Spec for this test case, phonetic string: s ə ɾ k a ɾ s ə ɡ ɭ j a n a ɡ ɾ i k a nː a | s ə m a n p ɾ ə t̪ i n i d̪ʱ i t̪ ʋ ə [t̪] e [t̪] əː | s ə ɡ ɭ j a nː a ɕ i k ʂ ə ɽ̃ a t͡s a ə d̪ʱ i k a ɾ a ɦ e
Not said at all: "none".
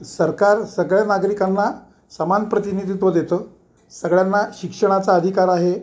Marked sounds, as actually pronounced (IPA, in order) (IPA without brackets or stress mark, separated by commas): d̪, t̪